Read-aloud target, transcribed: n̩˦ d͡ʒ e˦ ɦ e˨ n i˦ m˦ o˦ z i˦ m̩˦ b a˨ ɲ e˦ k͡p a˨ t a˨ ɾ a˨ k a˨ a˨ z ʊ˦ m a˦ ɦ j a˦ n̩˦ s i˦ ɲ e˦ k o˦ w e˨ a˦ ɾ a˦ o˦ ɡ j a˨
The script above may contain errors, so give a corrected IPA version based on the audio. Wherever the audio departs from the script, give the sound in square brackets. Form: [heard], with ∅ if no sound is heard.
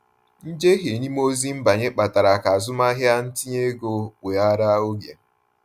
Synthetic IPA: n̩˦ d͡ʒ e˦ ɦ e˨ n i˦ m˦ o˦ z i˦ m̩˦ b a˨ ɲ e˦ k͡p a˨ t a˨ ɾ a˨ k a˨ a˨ z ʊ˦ m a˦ ɦ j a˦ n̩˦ [t] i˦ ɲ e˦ [ɡ] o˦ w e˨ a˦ ɾ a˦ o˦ ɡ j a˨